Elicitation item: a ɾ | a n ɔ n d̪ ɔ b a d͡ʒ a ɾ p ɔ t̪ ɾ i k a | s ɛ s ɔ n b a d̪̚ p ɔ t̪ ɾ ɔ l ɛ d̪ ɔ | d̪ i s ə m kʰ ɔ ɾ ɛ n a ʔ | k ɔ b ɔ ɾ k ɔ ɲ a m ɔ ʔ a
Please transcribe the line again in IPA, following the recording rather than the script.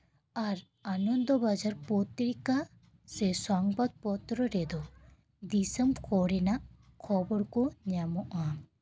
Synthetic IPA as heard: a ɾ | a n ɔ n d̪ ɔ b a d͡ʒ a ɾ p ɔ t̪ ɾ i k a | s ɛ s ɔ ŋ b a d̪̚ p ɔ t̪ ɾ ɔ ɾ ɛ d̪ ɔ | d̪ i s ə m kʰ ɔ ɾ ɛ n a ʔ | kʰ ɔ b ɔ ɾ k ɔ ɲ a m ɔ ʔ a